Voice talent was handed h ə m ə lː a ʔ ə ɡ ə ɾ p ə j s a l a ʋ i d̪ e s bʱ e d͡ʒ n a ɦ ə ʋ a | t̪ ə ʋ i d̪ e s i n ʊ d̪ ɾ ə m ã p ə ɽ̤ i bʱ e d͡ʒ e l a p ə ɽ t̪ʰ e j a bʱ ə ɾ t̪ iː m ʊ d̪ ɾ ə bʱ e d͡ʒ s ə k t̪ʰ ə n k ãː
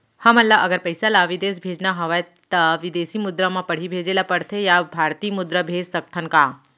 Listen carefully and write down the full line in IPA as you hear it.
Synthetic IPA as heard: h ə m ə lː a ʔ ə ɡ ə ɾ p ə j s a l a ʋ i d̪ e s bʱ e d͡ʒ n a ɦ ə ʋ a | t̪ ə ʋ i d̪ e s i m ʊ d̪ ɾ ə m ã p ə ɽ̤ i bʱ e d͡ʒ e l a p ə ɽ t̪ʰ e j a bʱ a ɾ t̪ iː m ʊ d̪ ɾ ə bʱ e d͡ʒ s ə k t̪ʰ ə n k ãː

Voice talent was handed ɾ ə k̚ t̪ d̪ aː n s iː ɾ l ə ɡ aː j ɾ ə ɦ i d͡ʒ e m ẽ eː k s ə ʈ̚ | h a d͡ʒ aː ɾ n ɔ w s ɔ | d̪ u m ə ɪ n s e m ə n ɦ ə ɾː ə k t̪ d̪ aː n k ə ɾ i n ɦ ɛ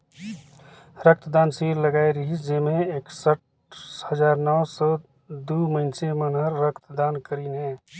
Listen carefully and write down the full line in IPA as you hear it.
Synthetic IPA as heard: ɾ ə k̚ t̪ d̪ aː n s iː ɾ l ə ɡ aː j ɾ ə ɦ i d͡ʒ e m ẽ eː k s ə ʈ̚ | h ə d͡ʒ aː ɾ n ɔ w s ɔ | d̪ u m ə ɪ n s e m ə n ɦ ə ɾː ə k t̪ d̪ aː n k ə ɾ i n ɦ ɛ

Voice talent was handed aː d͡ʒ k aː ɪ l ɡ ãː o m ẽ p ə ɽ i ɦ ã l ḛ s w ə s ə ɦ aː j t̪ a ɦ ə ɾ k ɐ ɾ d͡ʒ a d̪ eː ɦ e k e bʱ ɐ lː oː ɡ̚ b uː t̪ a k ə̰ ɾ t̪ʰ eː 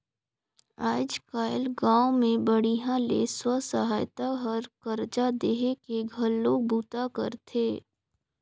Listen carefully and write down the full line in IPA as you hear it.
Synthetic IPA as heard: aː d͡ʒ k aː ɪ l ɡ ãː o m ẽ b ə ɽ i ɦ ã l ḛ s w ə s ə ɦ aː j t̪ a ɦ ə ɾ k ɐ ɾ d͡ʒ a d̪ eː ɦ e k e ɡʱ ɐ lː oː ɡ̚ b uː t̪ a k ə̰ ɾ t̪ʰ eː

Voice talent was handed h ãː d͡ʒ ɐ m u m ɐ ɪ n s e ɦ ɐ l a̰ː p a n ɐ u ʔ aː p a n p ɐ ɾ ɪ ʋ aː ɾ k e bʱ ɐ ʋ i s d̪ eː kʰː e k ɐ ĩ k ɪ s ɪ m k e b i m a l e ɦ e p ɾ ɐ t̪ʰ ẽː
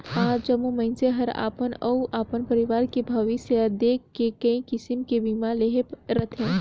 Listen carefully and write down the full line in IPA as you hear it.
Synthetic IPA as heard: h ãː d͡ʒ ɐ m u m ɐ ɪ n s e ɦ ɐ ɾ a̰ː p ə n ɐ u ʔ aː p ə n p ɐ ɾ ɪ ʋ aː ɾ k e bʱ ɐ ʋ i s d̪ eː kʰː e k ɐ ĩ k ɪ s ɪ m k e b i m a l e ɦ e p ɾ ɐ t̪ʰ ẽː

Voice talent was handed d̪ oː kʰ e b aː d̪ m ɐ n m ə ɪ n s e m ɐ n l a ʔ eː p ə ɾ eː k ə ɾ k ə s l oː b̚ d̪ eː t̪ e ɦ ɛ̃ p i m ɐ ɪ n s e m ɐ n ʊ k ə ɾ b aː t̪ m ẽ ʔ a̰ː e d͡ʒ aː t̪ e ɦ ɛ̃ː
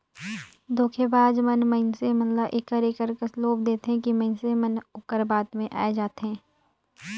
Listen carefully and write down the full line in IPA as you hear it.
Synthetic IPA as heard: d̪ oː kʰ e b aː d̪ m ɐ n m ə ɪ n s e m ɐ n l a ʔ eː k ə ɾ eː k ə ɾ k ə s l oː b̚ d̪ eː t̪ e ɦ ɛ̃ k i m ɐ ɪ n s e m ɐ n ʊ k ə ɾ b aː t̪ m ẽ ʔ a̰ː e d͡ʒ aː t̪ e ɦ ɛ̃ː

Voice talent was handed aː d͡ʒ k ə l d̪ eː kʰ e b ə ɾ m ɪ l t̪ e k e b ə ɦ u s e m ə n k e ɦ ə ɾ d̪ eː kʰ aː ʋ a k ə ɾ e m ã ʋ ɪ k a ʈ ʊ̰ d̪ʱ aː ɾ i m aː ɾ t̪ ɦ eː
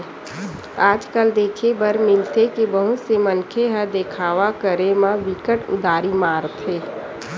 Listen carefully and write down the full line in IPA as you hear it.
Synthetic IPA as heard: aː d͡ʒ k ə l d̪ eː kʰ e b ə ɾ m ɪ l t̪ e k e b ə ɦ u s e m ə n kʰ e ɦ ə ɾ d̪ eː kʰ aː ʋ a k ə ɾ e m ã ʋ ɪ k ə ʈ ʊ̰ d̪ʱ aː ɾ i m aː ɾ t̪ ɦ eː

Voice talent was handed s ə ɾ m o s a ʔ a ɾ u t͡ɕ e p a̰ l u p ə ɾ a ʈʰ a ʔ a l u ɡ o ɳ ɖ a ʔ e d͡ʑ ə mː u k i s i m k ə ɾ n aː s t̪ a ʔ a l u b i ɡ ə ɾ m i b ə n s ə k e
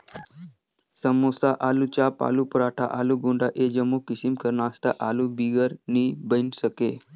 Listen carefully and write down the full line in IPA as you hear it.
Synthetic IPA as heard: s ə m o s a ʔ a l u t͡ɕ a p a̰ l u p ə ɾ a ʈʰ a ʔ a l u ɡ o ɳ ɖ a ʔ e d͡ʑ ə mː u k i s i m k ə ɾ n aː s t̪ a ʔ a l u b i ɡ ə ɾ n i b ə n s ə k e

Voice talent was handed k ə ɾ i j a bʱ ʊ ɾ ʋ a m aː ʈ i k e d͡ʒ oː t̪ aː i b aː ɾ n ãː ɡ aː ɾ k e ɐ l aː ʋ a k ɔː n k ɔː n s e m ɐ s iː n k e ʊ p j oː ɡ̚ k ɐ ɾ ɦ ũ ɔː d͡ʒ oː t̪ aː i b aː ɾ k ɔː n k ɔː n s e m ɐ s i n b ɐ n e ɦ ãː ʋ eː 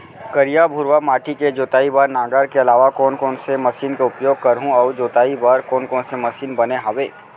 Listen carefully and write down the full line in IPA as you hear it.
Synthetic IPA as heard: k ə ɾ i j a bʱ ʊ ɾ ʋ a m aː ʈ i k e d͡ʒ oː t̪ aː i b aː ɾ n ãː ɡ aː ɾ k e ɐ l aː ʋ a k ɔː n k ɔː n s e m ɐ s iː n k e ʊ p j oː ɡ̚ k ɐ ɾ ɦ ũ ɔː d͡ʒ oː t̪ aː i b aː ɾ k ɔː n k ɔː n s e m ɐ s iː n b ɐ n e ɦ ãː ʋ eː

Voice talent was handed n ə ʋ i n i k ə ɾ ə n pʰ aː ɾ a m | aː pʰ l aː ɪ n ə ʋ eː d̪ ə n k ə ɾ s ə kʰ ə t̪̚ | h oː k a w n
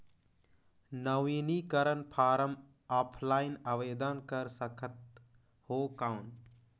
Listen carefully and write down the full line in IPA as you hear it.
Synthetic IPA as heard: n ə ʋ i n i k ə ɾ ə n pʰ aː ɾ ə m | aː pʰ l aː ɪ n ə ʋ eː d̪ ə n k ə ɾ s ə kʰ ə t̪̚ | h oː k a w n

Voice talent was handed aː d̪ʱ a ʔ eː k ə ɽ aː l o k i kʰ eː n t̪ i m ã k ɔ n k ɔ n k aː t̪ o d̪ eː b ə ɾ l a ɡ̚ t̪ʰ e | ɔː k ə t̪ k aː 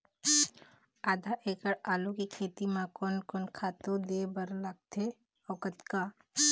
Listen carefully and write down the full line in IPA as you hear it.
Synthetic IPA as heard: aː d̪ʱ a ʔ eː k ə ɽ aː l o k i kʰ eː t̪ i m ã k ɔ n k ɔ n kʰ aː t̪ o d̪ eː b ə ɾ l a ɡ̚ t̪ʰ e | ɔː k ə t̪ k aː

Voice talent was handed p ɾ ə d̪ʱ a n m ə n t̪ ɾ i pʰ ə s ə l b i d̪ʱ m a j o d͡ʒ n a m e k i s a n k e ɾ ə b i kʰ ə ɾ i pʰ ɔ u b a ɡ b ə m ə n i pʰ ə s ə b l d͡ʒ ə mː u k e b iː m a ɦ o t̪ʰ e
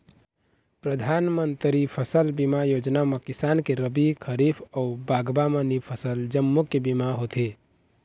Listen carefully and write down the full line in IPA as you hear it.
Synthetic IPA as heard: p ɾ ə d̪ʱ a n m ə n t̪ ɾ i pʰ ə s ə l b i m a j o d͡ʒ n a m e k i s a n k e ɾ ə b i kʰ ə ɾ i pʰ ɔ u b a ɡ b a m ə n i pʰ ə s ə l d͡ʒ ə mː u k e b i m a ɦ o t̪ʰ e

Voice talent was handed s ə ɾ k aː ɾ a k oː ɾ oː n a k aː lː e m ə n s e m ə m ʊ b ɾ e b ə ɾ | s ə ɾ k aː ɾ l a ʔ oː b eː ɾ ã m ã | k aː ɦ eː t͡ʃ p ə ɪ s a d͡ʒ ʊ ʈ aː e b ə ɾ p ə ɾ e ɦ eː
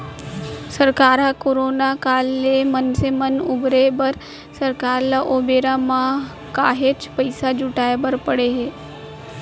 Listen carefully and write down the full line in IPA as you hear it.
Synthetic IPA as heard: s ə ɾ k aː ɾ a k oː ɾ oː n a k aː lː e m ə n s e m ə n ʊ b ɾ e b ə ɾ | s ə ɾ k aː ɾ l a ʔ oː b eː ɾ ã m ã | k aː ɦ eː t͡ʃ p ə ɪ s a d͡ʒ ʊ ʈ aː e b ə ɾ p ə ɽ e ɦ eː

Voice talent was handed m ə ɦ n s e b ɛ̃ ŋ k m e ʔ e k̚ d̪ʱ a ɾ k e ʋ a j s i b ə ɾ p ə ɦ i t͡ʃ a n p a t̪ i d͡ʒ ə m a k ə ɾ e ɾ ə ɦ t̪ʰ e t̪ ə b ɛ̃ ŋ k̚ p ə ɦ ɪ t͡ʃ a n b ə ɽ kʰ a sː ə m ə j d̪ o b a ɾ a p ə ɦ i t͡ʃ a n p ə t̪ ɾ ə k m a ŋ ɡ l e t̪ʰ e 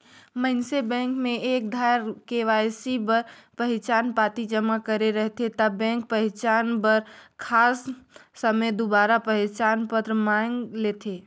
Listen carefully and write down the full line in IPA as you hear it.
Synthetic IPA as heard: m ə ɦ n s e b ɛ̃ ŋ k m e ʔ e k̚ d̪ʱ a ɾ k e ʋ a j s i b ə ɾ p ə ɦ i t͡ʃ a n p a t̪ i d͡ʒ ə m a k ə ɾ e ɾ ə ɦ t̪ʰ e t̪ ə b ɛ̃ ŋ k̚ p ə ɦ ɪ t͡ʃ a n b ə ɾ kʰ a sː ə m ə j d̪ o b a ɾ a p ə ɦ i t͡ʃ a n p ə t̪ ɾ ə m a ŋ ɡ l e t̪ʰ e

